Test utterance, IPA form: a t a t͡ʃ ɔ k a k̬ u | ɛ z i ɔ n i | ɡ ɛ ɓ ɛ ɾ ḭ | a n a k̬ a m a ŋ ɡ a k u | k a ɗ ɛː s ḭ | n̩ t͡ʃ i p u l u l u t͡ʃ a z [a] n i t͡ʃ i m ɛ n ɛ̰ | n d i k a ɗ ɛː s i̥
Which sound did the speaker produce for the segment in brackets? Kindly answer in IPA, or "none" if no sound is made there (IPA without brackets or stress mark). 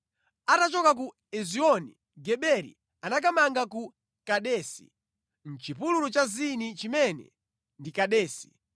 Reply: i